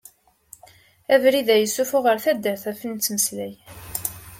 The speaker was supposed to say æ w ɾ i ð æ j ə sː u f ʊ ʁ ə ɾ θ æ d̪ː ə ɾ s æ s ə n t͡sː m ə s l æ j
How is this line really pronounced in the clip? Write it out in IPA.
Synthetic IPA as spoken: æ v ɾ i ð æ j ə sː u f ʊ ʁ ə ɾ θ æ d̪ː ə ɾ θ æ f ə n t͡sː m ə s l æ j